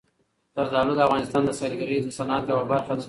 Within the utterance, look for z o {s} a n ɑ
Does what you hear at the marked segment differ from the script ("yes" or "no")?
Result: no